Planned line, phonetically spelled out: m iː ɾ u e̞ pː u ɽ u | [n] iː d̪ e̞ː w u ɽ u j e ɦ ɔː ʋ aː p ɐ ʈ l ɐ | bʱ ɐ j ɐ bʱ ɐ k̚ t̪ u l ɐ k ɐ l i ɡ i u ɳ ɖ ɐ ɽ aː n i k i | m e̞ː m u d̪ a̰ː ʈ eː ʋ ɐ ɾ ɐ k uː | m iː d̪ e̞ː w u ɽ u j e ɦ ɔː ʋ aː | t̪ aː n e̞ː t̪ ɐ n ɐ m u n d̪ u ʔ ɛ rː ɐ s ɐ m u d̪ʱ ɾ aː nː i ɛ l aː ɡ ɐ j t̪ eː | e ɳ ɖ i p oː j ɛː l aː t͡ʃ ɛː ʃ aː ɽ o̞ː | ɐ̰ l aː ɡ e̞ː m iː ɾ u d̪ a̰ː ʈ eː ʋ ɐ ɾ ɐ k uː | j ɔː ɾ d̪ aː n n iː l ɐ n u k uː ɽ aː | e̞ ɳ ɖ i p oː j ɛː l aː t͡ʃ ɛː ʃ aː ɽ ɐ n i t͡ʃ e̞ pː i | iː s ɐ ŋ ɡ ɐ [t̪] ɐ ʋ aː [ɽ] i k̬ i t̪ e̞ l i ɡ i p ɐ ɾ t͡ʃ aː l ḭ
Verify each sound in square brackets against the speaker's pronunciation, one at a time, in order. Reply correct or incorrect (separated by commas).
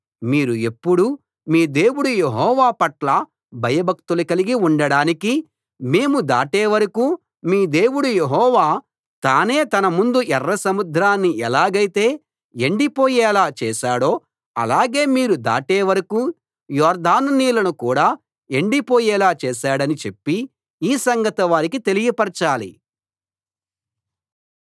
incorrect, correct, incorrect